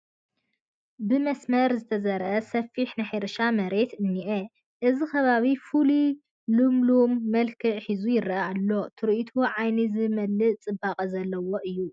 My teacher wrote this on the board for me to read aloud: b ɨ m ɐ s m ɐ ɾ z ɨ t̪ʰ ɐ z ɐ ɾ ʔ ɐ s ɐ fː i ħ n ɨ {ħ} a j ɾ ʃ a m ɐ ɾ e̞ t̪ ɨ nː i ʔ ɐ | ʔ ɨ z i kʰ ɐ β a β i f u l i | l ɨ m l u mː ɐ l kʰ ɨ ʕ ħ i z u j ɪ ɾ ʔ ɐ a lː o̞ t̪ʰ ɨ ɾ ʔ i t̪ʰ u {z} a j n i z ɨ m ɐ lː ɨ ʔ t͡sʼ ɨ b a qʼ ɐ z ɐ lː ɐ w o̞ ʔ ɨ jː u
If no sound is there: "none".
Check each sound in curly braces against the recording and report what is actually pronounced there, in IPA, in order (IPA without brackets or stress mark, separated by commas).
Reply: ħ, ʕ